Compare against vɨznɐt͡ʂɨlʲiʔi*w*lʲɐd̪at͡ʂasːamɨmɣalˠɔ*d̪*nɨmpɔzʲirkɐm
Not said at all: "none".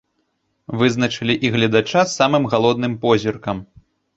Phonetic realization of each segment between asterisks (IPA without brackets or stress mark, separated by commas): ɣ, d̪